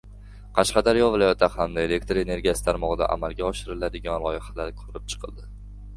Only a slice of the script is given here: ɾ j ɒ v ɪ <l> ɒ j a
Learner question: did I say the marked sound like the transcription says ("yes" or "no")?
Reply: yes